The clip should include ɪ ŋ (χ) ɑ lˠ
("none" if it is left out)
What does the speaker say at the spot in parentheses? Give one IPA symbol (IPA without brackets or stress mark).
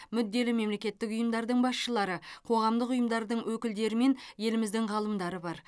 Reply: ʁ